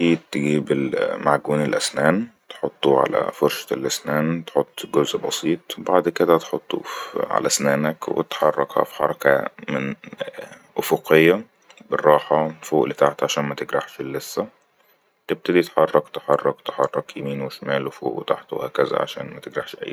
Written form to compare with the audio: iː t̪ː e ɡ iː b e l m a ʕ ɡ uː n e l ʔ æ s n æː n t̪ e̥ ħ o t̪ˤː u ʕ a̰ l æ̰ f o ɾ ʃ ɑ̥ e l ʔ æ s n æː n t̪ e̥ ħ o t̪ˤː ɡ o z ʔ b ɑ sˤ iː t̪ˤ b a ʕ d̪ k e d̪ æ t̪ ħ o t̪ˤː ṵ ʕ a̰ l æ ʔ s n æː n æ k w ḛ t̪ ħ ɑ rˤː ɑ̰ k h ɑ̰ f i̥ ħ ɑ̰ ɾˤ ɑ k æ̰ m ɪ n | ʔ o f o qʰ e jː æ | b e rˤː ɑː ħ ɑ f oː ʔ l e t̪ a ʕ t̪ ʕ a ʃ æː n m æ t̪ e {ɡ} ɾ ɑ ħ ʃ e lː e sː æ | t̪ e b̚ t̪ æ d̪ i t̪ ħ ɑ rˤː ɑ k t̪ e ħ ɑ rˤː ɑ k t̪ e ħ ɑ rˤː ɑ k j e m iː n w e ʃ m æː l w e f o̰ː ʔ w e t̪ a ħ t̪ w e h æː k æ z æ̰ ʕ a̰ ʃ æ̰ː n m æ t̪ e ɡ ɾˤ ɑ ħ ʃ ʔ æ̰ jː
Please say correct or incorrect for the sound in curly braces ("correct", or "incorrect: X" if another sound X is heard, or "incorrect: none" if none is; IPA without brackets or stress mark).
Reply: correct